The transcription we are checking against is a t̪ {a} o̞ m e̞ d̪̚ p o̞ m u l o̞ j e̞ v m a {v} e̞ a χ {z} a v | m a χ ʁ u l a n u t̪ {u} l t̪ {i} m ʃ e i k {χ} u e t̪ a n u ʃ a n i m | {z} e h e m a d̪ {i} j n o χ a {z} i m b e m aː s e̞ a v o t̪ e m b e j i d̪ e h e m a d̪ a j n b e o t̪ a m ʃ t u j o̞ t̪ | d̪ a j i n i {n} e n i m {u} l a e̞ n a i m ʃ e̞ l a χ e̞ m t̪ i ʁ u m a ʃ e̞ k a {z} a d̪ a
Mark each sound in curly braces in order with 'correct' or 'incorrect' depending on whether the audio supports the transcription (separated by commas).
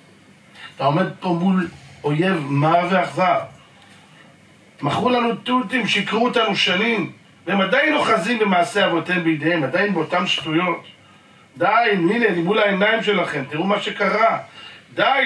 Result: correct, correct, correct, correct, correct, incorrect, incorrect, incorrect, correct, correct, correct, incorrect